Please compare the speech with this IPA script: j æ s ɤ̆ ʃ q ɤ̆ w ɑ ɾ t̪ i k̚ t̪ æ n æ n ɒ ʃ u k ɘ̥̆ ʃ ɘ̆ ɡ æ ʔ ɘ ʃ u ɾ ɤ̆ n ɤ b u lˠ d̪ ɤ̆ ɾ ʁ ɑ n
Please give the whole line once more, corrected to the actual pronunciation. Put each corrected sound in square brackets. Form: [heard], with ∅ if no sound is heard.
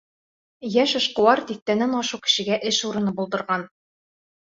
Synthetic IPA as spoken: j æ [ʃ] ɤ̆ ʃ q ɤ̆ w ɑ ɾ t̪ i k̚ t̪ æ n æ n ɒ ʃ u k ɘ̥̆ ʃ ɘ̆ ɡ æ ʔ ɘ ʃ u ɾ ɤ̆ n ɤ b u lˠ d̪ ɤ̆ ɾ ʁ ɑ n